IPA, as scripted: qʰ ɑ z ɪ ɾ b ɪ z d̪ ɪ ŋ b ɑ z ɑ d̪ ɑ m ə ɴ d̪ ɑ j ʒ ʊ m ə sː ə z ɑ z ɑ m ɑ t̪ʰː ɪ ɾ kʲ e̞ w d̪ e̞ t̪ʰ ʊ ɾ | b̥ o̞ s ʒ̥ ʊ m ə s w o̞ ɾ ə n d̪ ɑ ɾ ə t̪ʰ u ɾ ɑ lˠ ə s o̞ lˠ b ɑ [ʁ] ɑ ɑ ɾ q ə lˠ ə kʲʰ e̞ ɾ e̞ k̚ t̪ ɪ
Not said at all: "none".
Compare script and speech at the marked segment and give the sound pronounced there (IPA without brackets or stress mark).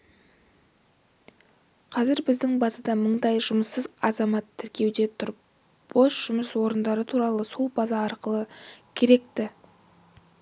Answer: z